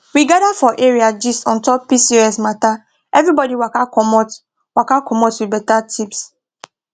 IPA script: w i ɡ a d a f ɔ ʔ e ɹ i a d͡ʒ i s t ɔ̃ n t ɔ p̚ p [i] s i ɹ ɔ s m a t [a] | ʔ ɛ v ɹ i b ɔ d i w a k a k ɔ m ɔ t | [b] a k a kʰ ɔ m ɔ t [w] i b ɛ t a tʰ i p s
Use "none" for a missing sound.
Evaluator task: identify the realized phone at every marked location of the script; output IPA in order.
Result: i, a, w, w

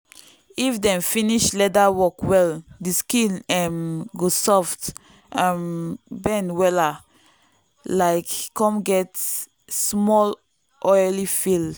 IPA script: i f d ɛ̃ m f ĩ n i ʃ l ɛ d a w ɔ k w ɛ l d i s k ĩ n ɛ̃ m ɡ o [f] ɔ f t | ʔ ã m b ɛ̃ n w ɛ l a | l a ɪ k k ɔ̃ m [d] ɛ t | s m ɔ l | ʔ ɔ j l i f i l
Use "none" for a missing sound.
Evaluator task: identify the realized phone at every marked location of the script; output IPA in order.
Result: s, ɡ

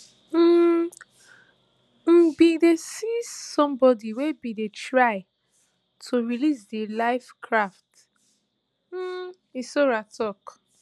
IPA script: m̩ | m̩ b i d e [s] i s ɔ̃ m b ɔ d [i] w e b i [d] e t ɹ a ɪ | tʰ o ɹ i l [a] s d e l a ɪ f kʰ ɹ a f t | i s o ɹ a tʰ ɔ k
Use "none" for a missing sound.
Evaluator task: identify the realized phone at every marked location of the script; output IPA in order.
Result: s, i, d, i

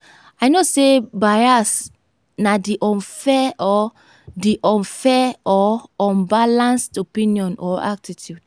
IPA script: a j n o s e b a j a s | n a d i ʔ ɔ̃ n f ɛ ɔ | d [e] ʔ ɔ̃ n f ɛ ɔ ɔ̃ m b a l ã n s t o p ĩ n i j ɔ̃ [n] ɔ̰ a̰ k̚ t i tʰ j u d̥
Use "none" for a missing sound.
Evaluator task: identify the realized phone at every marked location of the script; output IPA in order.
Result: i, n

